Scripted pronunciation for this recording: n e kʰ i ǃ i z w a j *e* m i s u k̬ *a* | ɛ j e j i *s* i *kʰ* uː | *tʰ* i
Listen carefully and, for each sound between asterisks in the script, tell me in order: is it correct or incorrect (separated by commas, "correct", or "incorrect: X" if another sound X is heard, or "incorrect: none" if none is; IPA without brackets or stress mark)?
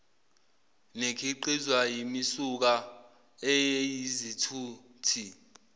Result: incorrect: i, correct, incorrect: z, incorrect: tʰ, correct